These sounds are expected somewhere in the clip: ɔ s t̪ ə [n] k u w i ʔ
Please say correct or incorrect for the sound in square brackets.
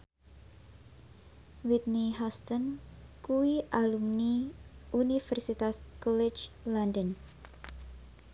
correct